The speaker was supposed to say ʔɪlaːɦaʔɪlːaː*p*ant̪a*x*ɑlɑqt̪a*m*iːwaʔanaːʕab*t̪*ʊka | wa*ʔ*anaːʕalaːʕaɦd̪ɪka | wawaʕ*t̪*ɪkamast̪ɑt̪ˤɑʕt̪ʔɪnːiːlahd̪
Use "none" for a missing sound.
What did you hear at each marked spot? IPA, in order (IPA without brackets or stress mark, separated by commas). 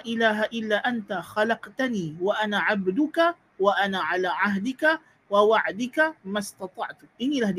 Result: ʔ, x, n, d̪, ʔ, d̪